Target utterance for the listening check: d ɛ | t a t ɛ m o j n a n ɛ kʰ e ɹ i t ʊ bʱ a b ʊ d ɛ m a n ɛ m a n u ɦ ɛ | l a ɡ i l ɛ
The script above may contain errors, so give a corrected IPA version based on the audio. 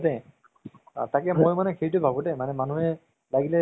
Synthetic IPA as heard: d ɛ | t a k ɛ m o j m a n ɛ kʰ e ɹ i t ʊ bʱ a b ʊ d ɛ m a n ɛ m a n u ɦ ɛ | l a ɡ i l ɛ